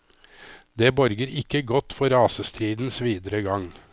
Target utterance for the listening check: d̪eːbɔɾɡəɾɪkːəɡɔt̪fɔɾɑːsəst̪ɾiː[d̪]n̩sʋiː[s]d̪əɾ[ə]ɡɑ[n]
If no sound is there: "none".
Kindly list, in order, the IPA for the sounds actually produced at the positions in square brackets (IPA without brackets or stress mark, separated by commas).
d̪, none, ə, ŋ